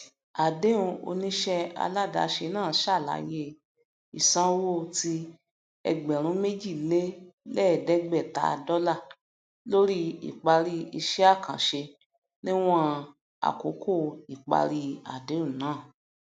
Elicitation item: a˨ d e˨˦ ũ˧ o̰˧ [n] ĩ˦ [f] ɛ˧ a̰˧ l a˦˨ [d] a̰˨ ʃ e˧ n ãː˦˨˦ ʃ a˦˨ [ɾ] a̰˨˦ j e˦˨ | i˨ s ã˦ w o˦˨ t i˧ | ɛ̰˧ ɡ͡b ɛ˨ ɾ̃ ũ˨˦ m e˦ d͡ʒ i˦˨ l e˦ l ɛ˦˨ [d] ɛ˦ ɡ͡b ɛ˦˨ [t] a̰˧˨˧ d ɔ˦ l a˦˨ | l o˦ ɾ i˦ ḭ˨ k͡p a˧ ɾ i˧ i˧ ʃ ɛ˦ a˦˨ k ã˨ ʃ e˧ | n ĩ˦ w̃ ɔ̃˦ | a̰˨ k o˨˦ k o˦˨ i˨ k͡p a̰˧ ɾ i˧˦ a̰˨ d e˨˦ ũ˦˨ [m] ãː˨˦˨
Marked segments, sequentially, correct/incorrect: correct, incorrect, correct, incorrect, correct, correct, incorrect

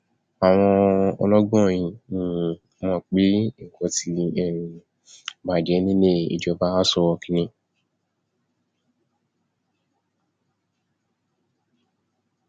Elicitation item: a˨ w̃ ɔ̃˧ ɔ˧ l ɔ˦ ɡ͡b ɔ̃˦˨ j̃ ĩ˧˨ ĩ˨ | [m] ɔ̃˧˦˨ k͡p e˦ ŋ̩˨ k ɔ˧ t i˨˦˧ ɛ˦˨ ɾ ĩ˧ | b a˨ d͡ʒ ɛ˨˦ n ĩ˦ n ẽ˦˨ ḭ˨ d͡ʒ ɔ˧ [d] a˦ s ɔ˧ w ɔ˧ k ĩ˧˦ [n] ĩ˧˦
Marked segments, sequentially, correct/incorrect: correct, incorrect, correct

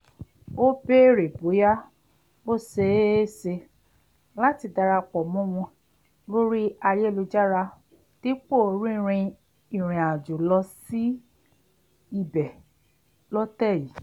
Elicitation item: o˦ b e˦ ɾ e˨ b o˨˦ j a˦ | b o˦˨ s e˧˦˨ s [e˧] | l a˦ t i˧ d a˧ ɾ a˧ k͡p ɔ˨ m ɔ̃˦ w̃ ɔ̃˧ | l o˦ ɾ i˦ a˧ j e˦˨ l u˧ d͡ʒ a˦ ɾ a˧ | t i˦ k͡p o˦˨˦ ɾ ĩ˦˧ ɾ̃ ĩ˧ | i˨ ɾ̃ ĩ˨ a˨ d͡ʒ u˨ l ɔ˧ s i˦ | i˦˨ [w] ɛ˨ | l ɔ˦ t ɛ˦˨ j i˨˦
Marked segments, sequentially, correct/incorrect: correct, incorrect

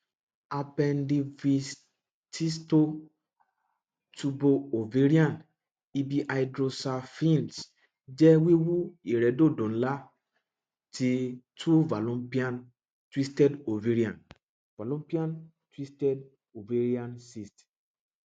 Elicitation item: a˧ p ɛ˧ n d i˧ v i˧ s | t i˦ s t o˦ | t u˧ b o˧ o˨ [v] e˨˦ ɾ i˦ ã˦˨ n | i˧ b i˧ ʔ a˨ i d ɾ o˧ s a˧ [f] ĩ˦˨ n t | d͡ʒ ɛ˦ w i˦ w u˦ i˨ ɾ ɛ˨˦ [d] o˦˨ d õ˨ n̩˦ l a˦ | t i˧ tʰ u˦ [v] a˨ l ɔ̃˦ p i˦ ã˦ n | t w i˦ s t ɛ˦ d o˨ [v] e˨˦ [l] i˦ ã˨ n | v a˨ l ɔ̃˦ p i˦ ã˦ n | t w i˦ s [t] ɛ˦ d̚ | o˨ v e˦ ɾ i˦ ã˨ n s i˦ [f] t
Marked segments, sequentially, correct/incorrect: correct, correct, correct, correct, correct, incorrect, correct, incorrect

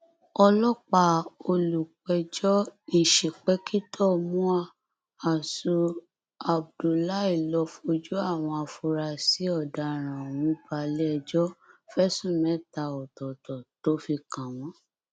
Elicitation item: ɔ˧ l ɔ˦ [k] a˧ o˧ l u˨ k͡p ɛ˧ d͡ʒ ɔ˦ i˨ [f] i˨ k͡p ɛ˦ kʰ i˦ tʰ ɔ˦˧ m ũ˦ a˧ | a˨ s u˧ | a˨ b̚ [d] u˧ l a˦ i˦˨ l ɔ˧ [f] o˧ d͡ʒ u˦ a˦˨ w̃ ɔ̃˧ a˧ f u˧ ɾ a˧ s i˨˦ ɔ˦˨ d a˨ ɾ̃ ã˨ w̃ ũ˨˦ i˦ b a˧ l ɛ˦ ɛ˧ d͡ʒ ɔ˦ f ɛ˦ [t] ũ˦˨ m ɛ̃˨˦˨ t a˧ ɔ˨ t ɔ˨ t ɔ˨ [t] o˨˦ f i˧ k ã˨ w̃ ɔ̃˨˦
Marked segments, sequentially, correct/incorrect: incorrect, incorrect, correct, correct, incorrect, correct

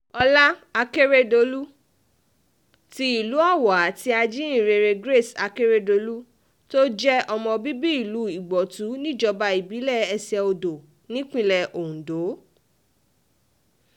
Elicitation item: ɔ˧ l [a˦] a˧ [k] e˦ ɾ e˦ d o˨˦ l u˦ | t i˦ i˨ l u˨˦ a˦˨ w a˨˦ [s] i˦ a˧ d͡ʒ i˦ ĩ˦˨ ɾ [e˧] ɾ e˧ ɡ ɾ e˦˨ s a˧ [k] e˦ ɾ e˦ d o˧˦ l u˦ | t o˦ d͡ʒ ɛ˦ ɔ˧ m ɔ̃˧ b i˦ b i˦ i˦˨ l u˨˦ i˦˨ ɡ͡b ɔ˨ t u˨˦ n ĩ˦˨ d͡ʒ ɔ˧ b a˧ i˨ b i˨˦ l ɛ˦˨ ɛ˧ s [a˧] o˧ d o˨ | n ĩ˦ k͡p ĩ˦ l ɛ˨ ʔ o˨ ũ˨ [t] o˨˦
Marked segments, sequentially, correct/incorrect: correct, correct, incorrect, correct, correct, incorrect, incorrect

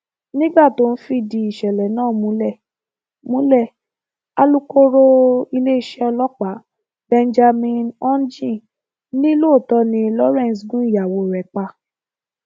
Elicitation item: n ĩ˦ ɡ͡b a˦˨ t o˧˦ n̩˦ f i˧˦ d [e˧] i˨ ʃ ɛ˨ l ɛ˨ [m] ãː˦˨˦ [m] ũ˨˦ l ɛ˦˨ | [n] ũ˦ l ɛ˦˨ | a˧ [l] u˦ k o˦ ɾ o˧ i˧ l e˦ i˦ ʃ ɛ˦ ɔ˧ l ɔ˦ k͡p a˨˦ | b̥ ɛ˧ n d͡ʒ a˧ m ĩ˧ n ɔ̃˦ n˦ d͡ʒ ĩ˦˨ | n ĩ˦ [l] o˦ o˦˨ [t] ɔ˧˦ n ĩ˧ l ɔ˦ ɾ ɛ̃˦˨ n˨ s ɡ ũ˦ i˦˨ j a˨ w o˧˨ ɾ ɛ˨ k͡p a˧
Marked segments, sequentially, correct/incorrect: incorrect, incorrect, correct, incorrect, correct, correct, correct

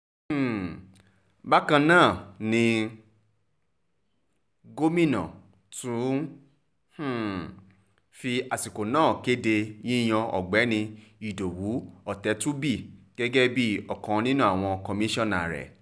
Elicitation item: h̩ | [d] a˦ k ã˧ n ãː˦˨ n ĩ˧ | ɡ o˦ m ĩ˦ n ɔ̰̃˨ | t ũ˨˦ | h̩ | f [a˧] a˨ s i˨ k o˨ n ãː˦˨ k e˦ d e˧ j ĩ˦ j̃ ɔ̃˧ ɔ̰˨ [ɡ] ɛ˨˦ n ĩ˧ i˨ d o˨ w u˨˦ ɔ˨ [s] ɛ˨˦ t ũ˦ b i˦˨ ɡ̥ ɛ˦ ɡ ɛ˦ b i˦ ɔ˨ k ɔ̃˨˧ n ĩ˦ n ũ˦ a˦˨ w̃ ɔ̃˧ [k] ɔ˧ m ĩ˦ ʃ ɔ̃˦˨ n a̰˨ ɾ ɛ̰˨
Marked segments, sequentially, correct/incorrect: incorrect, incorrect, incorrect, incorrect, correct

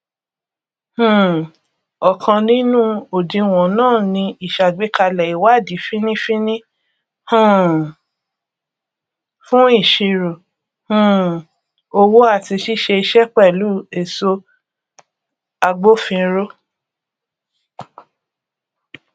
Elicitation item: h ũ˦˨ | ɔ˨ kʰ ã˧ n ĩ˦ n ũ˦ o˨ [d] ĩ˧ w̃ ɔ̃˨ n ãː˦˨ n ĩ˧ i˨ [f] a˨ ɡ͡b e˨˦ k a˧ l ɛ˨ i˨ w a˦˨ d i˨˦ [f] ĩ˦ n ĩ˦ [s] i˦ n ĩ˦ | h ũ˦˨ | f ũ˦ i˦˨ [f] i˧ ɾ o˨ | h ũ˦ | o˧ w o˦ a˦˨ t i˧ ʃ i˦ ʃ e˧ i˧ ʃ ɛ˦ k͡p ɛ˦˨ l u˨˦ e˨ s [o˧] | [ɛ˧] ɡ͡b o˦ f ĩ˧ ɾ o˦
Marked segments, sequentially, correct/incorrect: correct, incorrect, correct, incorrect, incorrect, correct, incorrect

